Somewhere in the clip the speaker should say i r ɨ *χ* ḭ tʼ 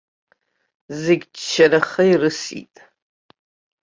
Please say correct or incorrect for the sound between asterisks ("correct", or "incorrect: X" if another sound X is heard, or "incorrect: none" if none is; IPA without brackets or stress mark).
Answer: incorrect: s